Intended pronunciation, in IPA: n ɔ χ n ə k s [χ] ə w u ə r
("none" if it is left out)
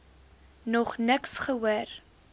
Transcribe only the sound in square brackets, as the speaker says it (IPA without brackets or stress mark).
χ